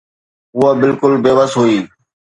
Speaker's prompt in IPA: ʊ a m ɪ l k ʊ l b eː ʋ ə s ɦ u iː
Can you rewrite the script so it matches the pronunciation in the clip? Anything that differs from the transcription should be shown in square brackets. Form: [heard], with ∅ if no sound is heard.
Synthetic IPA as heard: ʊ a [b] ɪ l k ʊ l b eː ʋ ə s ɦ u iː